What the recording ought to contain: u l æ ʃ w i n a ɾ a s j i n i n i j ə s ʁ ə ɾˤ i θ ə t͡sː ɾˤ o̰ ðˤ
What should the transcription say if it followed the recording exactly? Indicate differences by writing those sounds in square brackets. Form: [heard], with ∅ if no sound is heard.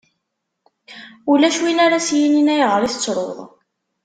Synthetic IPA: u l æ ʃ w i n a ɾ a s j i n i n [æ] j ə [∅] ʁ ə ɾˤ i θ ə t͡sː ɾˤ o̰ ðˤ